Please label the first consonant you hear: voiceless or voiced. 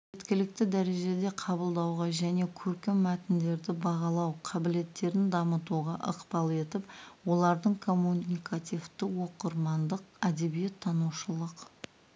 voiced